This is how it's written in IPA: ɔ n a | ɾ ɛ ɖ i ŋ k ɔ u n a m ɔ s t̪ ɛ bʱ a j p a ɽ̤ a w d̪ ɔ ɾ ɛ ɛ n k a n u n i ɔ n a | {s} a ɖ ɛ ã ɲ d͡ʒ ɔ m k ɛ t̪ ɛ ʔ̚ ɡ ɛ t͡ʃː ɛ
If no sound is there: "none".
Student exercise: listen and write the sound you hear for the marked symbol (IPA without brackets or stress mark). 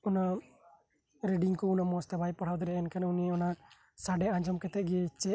s